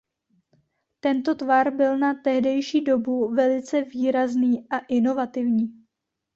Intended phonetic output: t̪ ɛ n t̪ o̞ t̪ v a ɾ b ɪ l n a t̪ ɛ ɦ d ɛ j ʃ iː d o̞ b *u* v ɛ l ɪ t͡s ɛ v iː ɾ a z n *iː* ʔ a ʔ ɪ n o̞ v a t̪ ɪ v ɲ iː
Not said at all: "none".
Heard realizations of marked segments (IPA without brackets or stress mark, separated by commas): u, iː